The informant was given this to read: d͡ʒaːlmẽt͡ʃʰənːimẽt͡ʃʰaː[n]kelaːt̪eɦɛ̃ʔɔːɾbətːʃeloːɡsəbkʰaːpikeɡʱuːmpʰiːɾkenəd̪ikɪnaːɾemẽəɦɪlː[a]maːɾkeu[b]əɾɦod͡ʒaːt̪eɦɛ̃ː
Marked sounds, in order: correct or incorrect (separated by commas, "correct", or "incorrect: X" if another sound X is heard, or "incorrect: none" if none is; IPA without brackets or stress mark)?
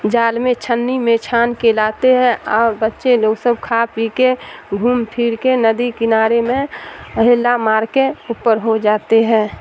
correct, correct, incorrect: p